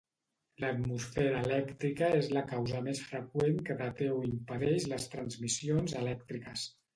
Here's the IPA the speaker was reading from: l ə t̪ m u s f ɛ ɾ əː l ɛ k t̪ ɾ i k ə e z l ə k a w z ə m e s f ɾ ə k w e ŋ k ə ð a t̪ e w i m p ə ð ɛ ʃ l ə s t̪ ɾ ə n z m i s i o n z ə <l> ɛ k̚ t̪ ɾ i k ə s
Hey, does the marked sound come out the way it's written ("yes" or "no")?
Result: yes